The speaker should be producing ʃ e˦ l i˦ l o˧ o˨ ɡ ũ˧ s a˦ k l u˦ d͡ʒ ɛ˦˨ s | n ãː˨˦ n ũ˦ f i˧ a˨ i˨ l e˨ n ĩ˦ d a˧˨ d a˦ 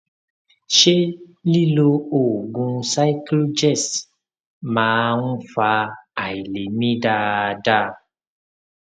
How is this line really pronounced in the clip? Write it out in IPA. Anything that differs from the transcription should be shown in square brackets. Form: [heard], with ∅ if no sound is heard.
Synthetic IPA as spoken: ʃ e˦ l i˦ l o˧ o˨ ɡ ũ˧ s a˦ k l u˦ d͡ʒ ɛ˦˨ s | [m] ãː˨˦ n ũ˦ f [a˧] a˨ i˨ l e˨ [m] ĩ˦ d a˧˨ d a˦